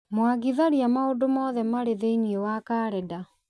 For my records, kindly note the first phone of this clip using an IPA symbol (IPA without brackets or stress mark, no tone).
m